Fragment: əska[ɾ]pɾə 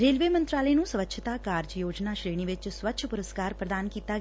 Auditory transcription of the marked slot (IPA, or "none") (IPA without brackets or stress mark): ɾ